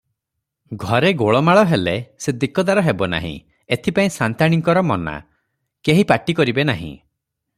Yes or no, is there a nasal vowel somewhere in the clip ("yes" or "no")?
yes